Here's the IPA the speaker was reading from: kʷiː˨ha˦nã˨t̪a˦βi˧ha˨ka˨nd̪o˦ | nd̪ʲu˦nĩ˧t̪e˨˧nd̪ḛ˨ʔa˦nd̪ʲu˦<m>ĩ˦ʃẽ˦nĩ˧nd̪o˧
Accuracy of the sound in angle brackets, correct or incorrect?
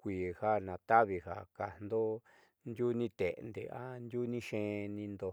incorrect